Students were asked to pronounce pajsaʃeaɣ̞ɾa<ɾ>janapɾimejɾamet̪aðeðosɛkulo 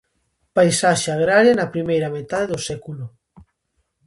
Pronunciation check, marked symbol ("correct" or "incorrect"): correct